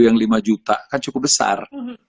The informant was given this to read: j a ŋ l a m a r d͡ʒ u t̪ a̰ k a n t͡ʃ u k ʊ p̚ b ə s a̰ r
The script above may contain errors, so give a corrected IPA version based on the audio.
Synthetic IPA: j a ŋ l i m a d͡ʒ u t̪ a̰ k a n t͡ʃ u k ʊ p̚ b ə s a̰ r